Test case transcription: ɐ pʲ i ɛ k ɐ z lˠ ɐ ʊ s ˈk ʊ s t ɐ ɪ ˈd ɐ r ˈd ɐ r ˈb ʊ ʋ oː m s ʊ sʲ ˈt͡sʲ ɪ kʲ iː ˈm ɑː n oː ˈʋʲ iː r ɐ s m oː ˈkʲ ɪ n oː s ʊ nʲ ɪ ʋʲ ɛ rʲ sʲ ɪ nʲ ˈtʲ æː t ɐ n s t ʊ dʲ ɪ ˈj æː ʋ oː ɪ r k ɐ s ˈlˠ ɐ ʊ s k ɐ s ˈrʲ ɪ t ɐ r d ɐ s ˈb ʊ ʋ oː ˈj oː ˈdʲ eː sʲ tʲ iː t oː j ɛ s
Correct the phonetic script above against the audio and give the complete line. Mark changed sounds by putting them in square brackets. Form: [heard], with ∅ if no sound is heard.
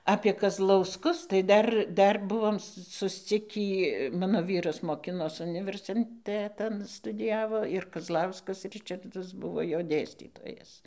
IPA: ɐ pʲ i ɛ k ɐ z lˠ ɐ ʊ s ˈk ʊ s t ɐ ɪ ˈd ɐ r ˈd ɐ r ˈb ʊ ʋ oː m s ʊ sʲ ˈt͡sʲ ɪ kʲ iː ˈm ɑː n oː ˈʋʲ iː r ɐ s m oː ˈkʲ ɪ n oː s ʊ nʲ ɪ ʋʲ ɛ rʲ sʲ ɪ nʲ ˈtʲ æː t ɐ n s t ʊ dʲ ɪ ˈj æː ʋ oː ɪ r k ɐ [z] ˈlˠ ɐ ʊ s k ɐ s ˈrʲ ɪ [t͡ʃ] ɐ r d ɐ s ˈb ʊ ʋ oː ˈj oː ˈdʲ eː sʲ tʲ iː t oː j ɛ s

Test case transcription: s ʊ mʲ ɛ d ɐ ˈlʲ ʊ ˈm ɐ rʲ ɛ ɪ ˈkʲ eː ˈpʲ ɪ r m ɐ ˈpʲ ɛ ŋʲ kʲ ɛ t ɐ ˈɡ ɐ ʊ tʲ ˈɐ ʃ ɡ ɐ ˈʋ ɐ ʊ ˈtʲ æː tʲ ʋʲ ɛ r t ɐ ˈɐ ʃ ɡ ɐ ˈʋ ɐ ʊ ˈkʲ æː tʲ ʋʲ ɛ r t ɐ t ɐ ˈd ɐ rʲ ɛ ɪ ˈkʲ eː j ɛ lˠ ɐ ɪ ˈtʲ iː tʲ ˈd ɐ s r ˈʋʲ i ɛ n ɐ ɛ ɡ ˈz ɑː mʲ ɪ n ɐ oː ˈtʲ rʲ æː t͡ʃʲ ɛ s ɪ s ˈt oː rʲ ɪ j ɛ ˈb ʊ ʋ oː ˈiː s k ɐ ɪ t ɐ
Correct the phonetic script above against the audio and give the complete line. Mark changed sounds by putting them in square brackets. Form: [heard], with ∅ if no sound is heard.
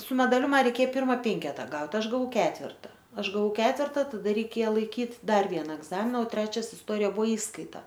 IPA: s ʊ mʲ ɛ d ɐ ˈlʲ ʊ ˈm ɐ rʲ ɛ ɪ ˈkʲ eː ˈpʲ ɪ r m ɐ ˈpʲ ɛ ŋʲ kʲ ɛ t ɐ ˈɡ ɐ ʊ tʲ ˈɐ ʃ ɡ ɐ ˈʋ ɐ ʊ [ˈkʲ] æː tʲ ʋʲ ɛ r t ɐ ˈɐ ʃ ɡ ɐ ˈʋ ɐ ʊ ˈkʲ æː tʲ ʋʲ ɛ r t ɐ t ɐ ˈd ɐ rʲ ɛ ɪ ˈkʲ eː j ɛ lˠ ɐ ɪ [ˈkʲ] iː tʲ ˈd ɐ [∅] r ˈʋʲ i ɛ n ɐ ɛ ɡ ˈz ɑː mʲ ɪ n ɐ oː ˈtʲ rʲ æː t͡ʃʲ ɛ s ɪ s ˈt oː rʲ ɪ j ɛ ˈb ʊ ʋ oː ˈiː s k ɐ ɪ t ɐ

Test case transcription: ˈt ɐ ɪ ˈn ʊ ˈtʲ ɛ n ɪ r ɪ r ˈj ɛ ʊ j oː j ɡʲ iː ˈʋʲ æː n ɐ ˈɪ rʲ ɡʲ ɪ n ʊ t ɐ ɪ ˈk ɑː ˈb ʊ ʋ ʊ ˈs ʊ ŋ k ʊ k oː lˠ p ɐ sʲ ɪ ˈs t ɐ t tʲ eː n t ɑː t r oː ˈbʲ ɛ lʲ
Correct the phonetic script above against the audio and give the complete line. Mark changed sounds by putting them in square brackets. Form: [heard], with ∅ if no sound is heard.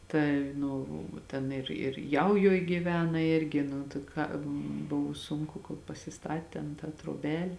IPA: ˈt ɐ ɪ ˈn ʊ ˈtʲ ɛ n ɪ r ɪ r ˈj ɛ ʊ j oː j ɡʲ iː ˈʋʲ æː n ɐ ˈɪ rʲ ɡʲ ɪ n ʊ t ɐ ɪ ˈk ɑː ˈb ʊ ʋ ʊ ˈs ʊ ŋ k ʊ k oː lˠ p ɐ sʲ ɪ ˈs t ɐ t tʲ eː n t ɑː t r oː ˈbʲ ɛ lʲ

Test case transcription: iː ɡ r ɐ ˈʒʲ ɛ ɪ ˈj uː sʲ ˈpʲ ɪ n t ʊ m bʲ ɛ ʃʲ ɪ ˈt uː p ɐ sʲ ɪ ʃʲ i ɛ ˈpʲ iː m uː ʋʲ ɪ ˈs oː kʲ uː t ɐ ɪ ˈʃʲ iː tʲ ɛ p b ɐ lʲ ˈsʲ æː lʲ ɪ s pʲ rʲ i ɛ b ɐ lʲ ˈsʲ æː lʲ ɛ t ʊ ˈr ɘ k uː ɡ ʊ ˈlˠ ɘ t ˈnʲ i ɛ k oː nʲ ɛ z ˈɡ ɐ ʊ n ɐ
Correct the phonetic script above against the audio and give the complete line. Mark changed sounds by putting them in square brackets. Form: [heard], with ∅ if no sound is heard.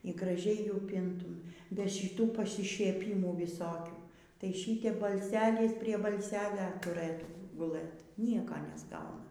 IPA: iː ɡ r ɐ ˈʒʲ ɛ ɪ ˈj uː [∅] ˈpʲ ɪ n t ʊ m bʲ ɛ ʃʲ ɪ ˈt uː p ɐ sʲ ɪ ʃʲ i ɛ ˈpʲ iː m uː ʋʲ ɪ ˈs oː kʲ uː t ɐ ɪ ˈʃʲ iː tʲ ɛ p b ɐ lʲ ˈsʲ æː lʲ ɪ s pʲ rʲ i ɛ b ɐ lʲ ˈsʲ æː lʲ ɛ t ʊ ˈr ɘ [t] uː ɡ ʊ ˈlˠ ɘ t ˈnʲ i ɛ k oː nʲ ɛ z ˈɡ ɐ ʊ n ɐ

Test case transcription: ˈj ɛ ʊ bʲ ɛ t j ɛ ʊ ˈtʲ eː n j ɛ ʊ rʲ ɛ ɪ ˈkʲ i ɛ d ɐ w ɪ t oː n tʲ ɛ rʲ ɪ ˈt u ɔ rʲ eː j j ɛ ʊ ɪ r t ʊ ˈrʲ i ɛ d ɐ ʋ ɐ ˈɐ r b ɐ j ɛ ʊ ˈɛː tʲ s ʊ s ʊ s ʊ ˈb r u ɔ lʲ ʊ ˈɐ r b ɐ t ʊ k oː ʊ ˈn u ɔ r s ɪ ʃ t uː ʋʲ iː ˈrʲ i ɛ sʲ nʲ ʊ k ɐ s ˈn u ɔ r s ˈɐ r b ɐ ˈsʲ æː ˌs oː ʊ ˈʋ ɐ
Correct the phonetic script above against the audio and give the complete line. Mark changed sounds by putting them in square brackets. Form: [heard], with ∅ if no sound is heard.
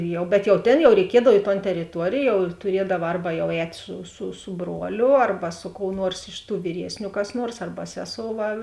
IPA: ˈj ɛ ʊ bʲ ɛ t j ɛ ʊ ˈtʲ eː n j ɛ ʊ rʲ ɛ ɪ ˈkʲ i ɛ d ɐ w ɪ t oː n tʲ ɛ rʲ ɪ ˈt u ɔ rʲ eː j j ɛ ʊ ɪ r t ʊ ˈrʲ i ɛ d ɐ ʋ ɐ ˈɐ r b ɐ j ɛ ʊ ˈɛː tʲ s ʊ s ʊ s ʊ ˈb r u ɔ lʲ ʊ ˈɐ r b ɐ [s] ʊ k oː ʊ ˈn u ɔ r s ɪ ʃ t uː ʋʲ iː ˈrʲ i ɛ sʲ nʲ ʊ k ɐ s ˈn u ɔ r s ˈɐ r b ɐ ˈsʲ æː ˌs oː ʊ ˈʋ ɐ

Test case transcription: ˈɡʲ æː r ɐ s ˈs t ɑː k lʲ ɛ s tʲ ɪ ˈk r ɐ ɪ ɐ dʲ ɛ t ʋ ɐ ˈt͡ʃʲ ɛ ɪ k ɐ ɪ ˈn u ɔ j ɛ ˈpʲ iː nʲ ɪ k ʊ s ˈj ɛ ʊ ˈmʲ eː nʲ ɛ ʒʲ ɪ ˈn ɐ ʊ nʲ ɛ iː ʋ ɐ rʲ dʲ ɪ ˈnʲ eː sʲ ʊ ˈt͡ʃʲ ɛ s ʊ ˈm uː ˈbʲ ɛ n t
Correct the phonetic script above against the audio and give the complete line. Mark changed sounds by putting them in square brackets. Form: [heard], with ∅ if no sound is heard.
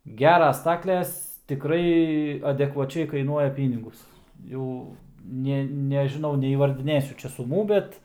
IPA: ˈɡʲ æː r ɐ s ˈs t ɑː k lʲ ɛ s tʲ ɪ ˈk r ɐ ɪ ɐ dʲ ɛ [k] ʋ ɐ ˈt͡ʃʲ ɛ ɪ k ɐ ɪ ˈn u ɔ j ɛ ˈpʲ iː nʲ ɪ [ɡ] ʊ s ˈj ɛ ʊ [ˈnʲ] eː nʲ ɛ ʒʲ ɪ ˈn ɐ ʊ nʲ ɛ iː ʋ ɐ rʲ dʲ ɪ ˈnʲ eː sʲ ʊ ˈt͡ʃʲ ɛ s ʊ ˈm uː ˈbʲ ɛ [∅] t

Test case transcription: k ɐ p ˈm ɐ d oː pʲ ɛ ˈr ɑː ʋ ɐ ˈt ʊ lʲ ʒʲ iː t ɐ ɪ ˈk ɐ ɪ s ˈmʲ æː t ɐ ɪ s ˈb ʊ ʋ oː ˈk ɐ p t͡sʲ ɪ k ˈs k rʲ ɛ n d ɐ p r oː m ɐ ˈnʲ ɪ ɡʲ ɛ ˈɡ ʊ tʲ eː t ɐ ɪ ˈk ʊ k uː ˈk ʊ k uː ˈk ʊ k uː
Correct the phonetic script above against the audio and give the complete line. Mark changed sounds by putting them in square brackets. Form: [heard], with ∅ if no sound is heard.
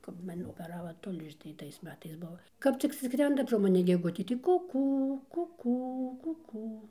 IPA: k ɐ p ˈm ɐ [n] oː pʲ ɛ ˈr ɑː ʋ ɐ ˈt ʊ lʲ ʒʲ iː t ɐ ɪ [ˈt] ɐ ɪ s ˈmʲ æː t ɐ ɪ s ˈb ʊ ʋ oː ˈk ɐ p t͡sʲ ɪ k ˈs k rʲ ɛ n d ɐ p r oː m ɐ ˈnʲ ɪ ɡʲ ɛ ˈɡ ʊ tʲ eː t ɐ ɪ ˈk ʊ k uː ˈk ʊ k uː ˈk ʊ k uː

